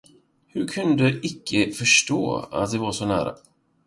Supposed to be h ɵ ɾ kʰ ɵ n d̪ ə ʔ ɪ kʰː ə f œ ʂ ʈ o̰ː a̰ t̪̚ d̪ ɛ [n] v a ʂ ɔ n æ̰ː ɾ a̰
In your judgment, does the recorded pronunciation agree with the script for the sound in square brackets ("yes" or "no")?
no